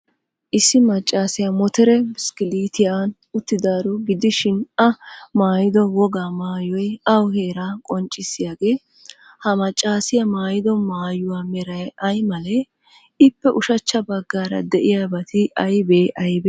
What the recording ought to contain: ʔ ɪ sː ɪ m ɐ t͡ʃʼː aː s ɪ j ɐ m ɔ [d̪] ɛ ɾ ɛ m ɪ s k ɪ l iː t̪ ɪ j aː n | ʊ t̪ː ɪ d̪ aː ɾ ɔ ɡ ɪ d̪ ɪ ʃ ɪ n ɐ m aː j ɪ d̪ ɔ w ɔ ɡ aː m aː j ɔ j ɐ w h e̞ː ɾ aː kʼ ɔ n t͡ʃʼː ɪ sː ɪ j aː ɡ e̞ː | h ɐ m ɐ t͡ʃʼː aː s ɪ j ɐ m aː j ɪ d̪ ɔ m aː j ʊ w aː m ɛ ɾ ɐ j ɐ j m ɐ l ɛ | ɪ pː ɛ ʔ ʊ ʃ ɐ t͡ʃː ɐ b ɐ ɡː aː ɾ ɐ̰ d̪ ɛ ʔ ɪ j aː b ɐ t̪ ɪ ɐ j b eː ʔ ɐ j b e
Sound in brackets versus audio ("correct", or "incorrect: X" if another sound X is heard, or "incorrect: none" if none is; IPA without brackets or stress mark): incorrect: t̪